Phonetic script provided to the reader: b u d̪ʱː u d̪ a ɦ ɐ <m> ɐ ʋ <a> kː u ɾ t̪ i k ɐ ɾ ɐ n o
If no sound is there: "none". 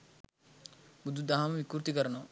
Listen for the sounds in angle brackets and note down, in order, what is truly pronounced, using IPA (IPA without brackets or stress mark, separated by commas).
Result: m, i